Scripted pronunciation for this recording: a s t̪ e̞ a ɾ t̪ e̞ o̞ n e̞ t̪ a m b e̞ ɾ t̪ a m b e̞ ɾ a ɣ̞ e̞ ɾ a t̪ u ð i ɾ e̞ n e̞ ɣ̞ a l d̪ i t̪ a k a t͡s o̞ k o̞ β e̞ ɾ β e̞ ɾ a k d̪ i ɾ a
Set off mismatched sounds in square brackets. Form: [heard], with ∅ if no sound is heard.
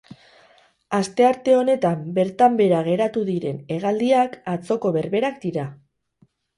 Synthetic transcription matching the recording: a s t̪ e̞ a ɾ t̪ e̞ o̞ n e̞ t̪ a m b e̞ ɾ t̪ a m b e̞ ɾ a ɣ̞ e̞ ɾ a t̪ u ð i ɾ e̞ n e̞ ɣ̞ a l d̪ i [∅] a k a t͡s o̞ k o̞ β e̞ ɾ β e̞ ɾ a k d̪ i ɾ a